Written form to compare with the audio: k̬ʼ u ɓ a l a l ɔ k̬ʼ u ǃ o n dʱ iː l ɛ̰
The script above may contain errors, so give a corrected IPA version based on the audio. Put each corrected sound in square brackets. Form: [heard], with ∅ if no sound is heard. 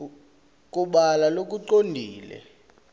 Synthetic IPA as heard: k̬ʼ u ɓ a l a l [o] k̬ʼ u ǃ o n dʱ iː l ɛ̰